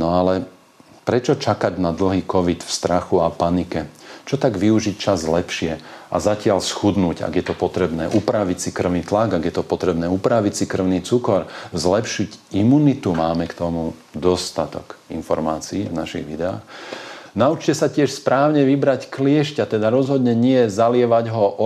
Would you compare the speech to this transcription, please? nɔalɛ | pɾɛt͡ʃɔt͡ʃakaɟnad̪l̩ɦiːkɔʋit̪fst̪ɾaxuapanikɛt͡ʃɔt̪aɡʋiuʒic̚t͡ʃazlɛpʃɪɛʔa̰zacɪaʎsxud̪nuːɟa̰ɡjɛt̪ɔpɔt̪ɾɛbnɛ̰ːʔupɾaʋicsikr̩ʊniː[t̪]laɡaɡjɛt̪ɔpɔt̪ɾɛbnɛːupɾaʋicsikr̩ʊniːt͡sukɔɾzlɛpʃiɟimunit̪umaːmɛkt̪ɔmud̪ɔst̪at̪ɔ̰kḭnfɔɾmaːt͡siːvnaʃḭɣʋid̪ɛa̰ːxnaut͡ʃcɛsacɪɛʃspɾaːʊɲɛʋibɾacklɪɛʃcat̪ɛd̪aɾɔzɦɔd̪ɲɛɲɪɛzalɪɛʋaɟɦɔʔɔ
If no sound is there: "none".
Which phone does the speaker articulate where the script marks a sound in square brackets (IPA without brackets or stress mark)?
t̪